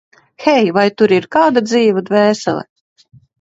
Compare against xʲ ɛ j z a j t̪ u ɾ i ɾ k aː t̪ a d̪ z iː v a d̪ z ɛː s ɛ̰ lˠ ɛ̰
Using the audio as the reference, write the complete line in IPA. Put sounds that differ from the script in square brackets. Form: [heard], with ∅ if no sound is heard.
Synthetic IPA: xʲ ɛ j [v] a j t̪ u ɾ i ɾ k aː [d̪] a d̪ z iː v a d̪ [v] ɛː s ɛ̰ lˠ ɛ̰